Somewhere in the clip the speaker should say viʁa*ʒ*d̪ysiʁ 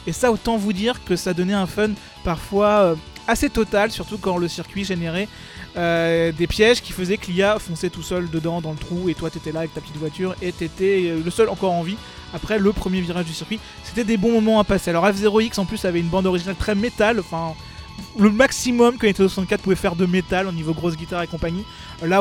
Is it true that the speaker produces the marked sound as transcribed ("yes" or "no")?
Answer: yes